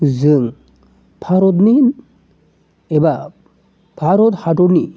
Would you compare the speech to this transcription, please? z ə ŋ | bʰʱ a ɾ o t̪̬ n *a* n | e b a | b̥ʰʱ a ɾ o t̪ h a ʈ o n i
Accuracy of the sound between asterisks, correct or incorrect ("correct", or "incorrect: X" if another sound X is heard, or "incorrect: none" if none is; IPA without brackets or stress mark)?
incorrect: i